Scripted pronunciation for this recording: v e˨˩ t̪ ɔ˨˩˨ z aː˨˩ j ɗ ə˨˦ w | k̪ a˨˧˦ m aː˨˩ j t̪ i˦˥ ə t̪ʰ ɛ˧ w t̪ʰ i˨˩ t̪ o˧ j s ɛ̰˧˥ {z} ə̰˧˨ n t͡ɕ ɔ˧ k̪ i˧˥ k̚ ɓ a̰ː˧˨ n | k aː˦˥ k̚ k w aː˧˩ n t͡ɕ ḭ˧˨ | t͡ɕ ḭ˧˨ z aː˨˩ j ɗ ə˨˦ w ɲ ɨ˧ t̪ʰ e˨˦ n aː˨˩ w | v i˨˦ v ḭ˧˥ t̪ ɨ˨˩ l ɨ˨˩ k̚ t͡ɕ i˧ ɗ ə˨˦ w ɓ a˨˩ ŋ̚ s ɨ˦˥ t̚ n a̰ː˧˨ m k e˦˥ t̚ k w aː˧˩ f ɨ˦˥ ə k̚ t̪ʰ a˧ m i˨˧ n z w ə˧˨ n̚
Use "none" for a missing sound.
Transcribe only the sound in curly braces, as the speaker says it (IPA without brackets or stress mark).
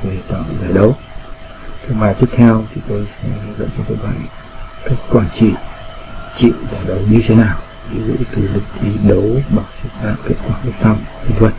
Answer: z